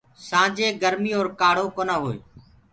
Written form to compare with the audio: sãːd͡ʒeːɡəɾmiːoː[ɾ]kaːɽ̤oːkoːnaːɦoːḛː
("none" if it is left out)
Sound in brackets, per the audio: ɾ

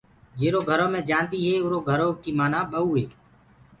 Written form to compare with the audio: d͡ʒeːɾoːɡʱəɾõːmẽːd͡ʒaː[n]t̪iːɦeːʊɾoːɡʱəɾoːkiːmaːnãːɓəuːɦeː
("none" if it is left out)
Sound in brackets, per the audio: n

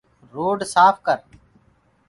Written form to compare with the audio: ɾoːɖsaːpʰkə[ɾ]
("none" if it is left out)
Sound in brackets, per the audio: ɾ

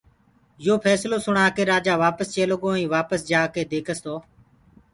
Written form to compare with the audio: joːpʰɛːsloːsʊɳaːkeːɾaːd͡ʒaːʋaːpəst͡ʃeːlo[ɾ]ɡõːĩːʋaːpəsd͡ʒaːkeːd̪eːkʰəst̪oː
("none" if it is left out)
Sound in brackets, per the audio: none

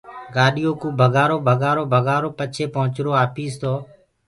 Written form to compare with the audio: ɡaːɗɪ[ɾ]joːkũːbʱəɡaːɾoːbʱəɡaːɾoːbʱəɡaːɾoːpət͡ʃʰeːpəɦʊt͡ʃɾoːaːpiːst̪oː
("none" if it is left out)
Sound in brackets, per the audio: none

